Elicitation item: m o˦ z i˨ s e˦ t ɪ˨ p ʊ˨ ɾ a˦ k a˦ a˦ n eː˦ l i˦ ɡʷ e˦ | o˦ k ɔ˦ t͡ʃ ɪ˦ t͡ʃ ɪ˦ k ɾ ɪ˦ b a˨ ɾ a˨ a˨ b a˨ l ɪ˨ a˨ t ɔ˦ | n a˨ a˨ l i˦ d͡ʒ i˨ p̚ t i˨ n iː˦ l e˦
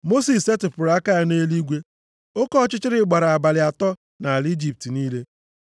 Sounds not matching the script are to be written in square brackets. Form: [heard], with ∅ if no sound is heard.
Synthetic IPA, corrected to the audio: m o˦ [s] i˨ s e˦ t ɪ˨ p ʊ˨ ɾ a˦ k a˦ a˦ n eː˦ l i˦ ɡʷ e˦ | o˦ k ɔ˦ t͡ʃ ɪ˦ t͡ʃ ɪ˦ [∅] ɾ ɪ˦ [ɡ͡b] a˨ ɾ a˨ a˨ b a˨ l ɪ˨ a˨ t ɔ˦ | n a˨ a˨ l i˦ d͡ʒ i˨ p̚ t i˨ n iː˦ l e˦